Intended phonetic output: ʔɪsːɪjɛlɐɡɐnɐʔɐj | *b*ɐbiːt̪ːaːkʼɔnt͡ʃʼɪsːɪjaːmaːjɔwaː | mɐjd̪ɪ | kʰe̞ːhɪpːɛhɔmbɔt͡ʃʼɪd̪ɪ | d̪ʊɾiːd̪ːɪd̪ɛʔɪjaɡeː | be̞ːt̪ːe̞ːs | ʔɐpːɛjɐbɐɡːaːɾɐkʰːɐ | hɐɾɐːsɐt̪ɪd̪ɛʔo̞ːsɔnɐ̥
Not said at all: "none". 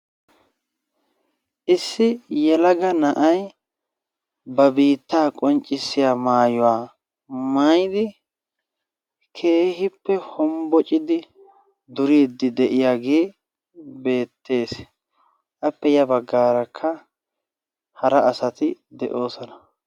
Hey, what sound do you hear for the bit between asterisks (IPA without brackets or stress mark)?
b